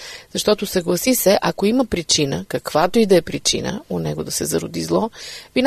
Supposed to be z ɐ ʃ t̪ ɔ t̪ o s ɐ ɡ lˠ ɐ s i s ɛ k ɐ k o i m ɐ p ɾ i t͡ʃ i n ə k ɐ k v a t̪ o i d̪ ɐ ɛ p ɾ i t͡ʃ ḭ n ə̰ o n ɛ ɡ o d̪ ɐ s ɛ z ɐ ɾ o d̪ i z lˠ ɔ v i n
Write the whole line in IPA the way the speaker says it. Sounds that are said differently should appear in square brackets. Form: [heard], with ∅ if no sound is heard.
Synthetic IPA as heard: z ɐ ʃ t̪ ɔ t̪ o s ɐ ɡ lˠ ɐ s i s ɛ [ʔ] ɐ k o i m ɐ p ɾ i t͡ʃ i n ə k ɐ k v a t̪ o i d̪ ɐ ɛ p ɾ i t͡ʃ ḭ n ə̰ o n ɛ ɡ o d̪ ɐ s ɛ z ɐ ɾ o d̪ i z lˠ ɔ v i n